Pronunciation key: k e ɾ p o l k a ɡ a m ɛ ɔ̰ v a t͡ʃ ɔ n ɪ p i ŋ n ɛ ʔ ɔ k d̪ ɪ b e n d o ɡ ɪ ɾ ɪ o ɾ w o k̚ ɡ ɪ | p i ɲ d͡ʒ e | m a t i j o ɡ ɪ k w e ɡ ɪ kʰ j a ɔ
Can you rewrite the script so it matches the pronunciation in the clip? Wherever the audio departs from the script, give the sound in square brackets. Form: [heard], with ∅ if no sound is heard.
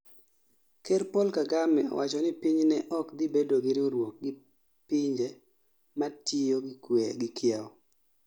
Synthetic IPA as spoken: k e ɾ p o l k a ɡ a m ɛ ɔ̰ [w] a t͡ʃ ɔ n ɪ p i [ɲ] n ɛ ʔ ɔ k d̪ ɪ b e [∅] d o ɡ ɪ ɾ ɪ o ɾ w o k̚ ɡ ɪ | p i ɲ d͡ʒ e | m a t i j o ɡ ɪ k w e ɡ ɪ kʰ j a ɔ